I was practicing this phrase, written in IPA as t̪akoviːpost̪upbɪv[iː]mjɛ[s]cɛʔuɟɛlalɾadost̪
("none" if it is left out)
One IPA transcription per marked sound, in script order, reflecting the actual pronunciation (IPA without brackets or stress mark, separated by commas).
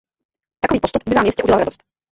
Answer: aː, s